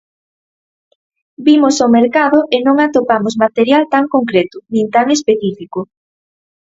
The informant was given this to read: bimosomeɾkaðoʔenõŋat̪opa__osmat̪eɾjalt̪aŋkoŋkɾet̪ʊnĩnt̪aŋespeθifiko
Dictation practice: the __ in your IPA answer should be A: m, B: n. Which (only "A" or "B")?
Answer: A